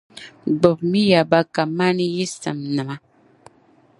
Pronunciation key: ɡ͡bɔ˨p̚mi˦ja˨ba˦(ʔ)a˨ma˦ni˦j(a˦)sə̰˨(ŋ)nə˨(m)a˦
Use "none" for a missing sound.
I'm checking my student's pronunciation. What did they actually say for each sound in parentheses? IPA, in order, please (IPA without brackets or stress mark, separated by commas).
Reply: k, i˦, m, m